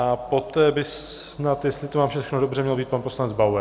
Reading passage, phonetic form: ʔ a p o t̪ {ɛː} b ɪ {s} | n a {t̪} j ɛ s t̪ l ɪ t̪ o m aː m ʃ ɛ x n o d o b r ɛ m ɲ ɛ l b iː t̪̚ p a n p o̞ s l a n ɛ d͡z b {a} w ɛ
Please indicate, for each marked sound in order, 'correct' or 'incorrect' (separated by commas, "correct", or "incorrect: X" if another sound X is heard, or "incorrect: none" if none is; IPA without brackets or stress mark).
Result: correct, correct, correct, correct